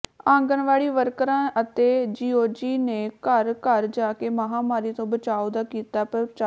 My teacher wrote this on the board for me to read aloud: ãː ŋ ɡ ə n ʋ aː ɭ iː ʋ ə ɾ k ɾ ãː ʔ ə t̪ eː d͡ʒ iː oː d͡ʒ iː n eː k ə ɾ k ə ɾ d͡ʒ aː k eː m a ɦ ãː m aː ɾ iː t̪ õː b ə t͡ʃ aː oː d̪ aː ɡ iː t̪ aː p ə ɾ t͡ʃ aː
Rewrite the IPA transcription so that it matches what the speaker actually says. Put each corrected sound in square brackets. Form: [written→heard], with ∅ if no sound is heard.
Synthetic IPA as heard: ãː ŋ ɡ ə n ʋ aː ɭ iː ʋ ə ɾ k ɾ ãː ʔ ə t̪ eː d͡ʒ iː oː d͡ʒ iː n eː k ə ɾ k ə ɾ d͡ʒ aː k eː m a ɦ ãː m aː ɾ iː t̪ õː b ə t͡ʃ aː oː d̪ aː [ɡ→k] iː t̪ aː p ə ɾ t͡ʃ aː